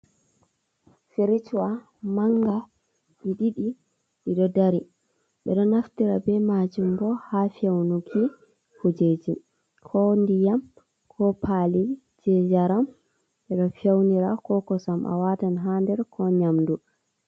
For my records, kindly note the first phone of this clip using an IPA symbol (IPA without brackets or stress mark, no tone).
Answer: f